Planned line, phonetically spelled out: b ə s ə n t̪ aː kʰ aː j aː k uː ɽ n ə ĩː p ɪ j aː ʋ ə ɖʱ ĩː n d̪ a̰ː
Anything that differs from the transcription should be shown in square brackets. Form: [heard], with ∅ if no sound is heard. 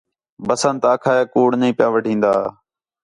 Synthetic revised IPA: b ə s ə n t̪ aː kʰ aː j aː k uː ɽ n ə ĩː p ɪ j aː ʋ ə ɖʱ ĩː n d̪ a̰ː